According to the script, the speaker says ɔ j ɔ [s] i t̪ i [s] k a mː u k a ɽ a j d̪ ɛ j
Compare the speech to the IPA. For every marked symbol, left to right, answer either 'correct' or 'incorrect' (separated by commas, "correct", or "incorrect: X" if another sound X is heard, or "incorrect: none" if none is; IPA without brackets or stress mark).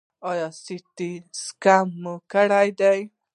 correct, correct